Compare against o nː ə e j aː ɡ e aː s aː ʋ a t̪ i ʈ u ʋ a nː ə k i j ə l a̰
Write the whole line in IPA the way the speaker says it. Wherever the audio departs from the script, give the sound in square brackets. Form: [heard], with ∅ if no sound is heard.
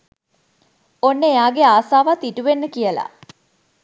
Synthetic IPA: o nː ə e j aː ɡ e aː s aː ʋ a t̪ i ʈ u ʋ [e] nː ə k i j ə l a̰